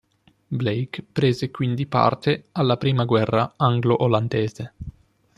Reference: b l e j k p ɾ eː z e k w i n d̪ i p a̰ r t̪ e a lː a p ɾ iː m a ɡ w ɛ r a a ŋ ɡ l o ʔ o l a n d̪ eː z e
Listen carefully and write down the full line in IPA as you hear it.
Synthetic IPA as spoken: b l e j k p ɾ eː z e k w i n d̪ i p a̰ r t̪ e a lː a p ɾ iː m a ɡ w ɛ rː a a ŋ ɡ l o ʔ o l a n d̪ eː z e